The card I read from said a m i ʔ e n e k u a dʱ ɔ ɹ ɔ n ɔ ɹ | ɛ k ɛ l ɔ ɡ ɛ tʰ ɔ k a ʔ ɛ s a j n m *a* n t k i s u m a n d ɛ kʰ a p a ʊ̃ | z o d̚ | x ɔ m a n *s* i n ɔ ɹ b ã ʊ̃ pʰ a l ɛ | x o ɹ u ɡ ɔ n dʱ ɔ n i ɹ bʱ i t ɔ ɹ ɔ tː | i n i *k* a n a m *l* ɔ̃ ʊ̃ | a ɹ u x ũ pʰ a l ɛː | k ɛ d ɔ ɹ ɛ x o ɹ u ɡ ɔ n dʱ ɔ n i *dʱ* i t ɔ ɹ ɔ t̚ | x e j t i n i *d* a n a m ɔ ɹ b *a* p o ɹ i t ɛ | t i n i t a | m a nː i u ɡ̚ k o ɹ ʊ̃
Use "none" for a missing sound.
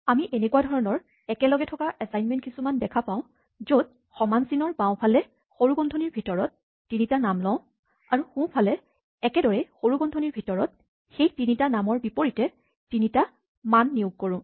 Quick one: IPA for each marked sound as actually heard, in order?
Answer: ɛ, s, t, l, bʱ, t, i

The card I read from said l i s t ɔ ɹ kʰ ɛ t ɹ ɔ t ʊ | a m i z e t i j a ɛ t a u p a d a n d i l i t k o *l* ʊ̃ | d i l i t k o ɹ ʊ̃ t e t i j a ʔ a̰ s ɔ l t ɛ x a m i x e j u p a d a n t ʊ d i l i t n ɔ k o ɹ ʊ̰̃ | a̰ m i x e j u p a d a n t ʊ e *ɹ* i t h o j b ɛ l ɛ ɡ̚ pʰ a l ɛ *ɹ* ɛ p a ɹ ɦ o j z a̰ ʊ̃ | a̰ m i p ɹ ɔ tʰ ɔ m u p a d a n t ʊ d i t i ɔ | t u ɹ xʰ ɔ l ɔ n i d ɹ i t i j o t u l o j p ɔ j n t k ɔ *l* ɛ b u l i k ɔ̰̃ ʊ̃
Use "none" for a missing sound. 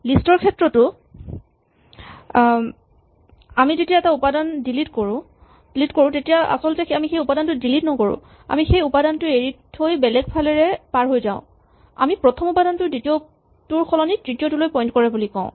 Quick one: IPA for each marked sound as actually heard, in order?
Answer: ɹ, ɹ, ɹ, ɹ

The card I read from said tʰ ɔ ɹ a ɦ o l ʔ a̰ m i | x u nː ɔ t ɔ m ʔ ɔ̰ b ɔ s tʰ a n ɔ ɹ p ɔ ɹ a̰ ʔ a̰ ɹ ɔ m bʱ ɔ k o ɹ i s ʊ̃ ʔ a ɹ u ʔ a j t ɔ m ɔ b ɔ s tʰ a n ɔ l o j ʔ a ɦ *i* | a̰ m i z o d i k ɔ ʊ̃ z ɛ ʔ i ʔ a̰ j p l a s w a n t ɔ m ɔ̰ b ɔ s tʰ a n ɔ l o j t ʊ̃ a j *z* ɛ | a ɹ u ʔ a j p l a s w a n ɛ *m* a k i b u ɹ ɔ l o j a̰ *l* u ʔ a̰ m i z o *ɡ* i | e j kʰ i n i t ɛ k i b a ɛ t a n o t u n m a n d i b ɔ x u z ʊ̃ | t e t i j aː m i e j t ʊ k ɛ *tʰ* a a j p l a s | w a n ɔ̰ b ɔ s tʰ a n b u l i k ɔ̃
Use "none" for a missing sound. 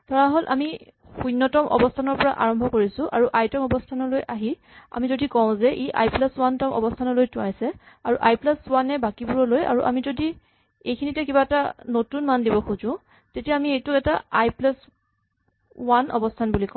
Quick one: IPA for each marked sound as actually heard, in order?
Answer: i, s, b, ɹ, d, t

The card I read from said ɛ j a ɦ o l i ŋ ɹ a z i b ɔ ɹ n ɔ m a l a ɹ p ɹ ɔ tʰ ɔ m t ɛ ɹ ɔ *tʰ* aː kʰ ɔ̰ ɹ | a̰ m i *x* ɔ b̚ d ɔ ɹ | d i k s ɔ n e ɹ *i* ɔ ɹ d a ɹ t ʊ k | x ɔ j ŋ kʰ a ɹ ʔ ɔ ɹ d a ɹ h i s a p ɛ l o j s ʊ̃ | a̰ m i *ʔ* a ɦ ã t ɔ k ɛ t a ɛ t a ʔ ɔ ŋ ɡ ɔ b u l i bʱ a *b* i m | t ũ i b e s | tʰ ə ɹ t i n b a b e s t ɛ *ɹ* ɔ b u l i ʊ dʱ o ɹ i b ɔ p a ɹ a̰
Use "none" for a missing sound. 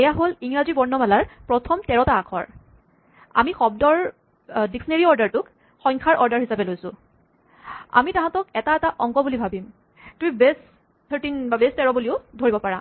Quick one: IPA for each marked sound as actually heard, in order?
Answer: t, x, i, t, b, ɹ

